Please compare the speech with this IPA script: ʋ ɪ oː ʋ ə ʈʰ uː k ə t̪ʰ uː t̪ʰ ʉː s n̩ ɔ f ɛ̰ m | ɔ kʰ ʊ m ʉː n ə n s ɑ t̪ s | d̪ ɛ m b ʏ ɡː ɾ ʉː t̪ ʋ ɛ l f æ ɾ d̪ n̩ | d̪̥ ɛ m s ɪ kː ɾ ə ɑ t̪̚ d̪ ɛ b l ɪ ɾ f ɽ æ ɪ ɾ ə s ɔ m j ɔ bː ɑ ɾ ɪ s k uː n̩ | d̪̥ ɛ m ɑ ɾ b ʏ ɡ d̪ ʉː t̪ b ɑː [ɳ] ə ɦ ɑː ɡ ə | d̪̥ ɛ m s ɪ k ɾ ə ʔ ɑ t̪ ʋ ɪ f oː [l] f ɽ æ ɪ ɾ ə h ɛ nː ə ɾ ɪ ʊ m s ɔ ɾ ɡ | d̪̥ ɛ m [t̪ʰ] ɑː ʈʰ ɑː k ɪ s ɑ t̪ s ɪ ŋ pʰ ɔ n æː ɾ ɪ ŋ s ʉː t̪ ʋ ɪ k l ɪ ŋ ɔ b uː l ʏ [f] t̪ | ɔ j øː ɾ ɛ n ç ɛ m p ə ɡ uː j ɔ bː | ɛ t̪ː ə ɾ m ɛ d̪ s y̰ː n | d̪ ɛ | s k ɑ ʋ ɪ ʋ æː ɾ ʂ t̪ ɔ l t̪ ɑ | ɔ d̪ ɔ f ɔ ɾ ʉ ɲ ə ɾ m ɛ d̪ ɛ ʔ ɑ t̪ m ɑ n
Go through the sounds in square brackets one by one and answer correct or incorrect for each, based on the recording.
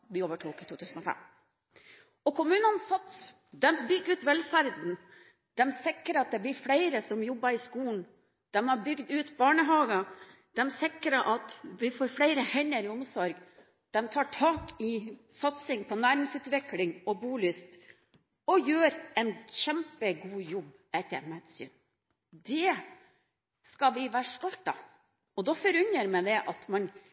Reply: correct, incorrect: ɾ, correct, incorrect: s

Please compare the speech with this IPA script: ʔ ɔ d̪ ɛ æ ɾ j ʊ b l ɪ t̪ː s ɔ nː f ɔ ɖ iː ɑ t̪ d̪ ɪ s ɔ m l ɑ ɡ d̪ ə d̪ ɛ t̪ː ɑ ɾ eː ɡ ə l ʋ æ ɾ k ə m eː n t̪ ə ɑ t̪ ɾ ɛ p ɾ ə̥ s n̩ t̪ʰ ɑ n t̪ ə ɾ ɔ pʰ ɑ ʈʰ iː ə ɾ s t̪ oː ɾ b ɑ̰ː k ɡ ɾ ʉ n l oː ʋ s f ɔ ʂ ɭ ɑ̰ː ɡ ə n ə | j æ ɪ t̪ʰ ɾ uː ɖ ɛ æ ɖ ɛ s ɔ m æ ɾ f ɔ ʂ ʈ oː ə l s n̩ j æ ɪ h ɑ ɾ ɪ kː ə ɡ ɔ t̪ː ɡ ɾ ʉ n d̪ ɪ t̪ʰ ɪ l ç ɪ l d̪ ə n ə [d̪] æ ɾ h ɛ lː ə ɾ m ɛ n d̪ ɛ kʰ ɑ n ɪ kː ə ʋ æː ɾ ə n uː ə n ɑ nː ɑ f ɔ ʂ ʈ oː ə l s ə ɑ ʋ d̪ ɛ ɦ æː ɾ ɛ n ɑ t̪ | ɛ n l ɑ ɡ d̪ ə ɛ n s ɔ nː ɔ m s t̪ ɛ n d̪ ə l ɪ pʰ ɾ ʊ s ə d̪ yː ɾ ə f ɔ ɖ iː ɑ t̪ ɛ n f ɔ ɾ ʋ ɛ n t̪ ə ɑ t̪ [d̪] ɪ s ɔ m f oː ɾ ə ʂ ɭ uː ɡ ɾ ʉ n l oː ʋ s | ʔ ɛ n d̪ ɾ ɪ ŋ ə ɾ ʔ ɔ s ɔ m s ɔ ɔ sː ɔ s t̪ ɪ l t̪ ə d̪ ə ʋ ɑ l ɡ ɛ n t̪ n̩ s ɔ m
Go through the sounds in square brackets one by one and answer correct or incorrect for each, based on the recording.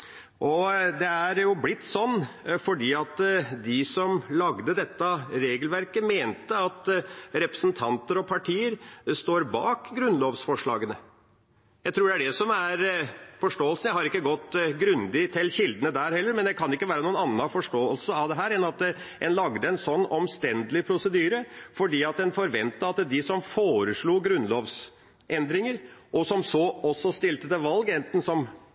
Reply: correct, correct

